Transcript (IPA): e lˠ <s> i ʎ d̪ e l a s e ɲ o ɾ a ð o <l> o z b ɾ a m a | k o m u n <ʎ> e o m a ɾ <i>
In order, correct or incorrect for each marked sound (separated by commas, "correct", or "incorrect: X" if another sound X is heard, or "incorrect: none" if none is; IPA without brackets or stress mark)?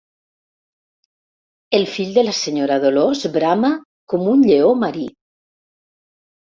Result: incorrect: f, correct, correct, correct